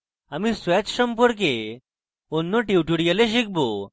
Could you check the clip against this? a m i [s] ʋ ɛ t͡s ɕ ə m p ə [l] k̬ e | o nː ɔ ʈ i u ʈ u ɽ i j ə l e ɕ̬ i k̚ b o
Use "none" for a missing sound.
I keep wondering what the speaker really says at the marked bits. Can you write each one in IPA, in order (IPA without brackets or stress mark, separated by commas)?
s, ɾ